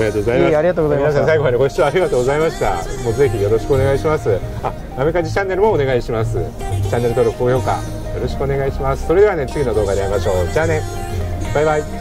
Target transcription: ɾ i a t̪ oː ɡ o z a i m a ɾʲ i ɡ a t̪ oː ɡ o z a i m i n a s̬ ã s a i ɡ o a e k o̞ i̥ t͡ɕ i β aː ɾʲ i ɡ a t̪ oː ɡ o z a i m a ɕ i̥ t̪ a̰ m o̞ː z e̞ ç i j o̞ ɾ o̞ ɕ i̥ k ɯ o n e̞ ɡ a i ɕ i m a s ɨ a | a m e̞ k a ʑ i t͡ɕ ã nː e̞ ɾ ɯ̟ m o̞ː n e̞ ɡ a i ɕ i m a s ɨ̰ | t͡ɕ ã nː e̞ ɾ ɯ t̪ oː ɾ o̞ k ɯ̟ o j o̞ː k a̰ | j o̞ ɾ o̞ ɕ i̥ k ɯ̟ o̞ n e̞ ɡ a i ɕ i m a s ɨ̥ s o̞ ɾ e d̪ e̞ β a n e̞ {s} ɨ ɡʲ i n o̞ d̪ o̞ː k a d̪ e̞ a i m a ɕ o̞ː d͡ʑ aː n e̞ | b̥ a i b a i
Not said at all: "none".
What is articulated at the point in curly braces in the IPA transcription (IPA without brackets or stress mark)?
t͡s